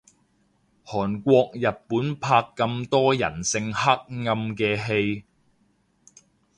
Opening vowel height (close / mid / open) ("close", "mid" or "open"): mid